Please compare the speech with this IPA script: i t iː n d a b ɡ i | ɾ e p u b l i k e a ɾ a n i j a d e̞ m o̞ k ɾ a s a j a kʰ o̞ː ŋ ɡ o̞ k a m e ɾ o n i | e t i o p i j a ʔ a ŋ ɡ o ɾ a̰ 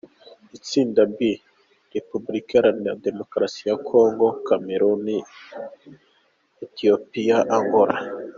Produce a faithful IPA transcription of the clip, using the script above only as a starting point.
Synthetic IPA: i t͡s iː n d a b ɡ i | ɾ e p u b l i k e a ɾ a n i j a d e̞ m o̞ k ɾ a s i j a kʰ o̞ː ŋ ɡ o̞ k a m e ɾ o n i | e t i o p i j a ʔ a ŋ ɡ o ɾ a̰